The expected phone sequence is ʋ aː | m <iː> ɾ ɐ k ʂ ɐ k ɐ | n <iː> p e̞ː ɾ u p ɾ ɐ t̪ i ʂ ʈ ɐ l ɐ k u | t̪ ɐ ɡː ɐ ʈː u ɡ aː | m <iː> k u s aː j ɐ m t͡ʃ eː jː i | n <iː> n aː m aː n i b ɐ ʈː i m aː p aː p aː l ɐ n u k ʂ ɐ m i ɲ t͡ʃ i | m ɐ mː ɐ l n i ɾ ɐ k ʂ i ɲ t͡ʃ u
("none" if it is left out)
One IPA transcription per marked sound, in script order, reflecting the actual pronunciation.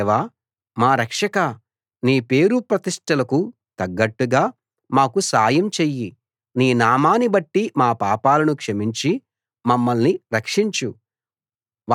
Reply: aː, iː, aː, iː

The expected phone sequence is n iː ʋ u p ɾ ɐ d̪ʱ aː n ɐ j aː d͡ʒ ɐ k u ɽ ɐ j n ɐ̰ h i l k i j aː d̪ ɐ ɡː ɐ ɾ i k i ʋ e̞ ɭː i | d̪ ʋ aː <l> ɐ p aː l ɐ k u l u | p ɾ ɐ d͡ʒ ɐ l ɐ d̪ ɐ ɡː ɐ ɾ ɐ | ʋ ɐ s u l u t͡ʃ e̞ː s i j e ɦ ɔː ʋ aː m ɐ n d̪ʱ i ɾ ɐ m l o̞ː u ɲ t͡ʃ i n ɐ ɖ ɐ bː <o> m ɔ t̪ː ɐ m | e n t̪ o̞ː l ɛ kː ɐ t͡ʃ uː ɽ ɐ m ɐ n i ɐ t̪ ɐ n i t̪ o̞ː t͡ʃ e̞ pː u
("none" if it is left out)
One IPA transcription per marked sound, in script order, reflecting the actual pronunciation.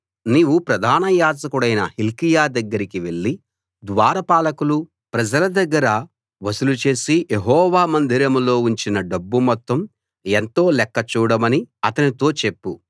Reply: ɾ, u

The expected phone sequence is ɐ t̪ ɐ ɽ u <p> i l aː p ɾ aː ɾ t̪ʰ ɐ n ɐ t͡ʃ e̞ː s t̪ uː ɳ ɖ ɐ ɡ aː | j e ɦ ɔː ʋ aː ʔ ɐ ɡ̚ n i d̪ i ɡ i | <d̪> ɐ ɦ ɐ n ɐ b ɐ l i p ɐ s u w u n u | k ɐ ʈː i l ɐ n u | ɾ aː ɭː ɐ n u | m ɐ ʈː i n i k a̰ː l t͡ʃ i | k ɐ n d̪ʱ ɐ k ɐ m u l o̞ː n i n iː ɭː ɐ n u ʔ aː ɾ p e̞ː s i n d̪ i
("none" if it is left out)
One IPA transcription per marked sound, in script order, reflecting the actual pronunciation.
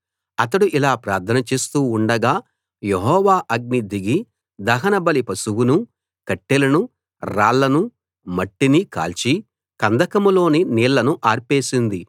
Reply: ʔ, d̪

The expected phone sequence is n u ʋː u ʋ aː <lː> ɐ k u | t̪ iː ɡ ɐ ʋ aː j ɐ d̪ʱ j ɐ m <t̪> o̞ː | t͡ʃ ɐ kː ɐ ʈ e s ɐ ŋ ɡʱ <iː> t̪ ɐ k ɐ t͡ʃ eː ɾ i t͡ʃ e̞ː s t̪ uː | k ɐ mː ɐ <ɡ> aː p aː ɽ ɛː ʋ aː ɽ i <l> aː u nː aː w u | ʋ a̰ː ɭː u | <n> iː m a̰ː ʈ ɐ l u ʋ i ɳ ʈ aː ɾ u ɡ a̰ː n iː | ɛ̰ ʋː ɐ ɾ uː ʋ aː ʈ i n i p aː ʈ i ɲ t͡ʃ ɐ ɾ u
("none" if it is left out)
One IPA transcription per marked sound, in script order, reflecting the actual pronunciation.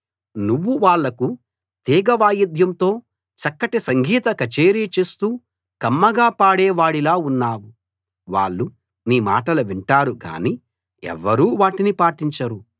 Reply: ɭː, t̪, iː, ɡ, l, n

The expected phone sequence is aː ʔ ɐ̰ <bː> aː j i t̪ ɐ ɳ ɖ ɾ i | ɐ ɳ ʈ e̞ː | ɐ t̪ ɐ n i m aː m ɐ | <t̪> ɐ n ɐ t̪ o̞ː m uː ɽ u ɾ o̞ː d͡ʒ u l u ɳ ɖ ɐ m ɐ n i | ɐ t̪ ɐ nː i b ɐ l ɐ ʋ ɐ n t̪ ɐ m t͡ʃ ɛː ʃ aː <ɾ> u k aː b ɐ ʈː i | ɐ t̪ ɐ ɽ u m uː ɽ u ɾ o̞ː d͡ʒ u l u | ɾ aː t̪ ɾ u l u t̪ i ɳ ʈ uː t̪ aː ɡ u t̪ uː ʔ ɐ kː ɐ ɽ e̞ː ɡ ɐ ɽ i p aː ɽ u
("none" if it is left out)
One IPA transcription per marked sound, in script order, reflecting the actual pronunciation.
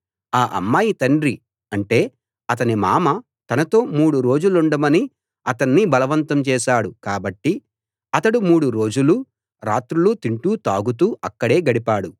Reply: mː, t̪, ɽ

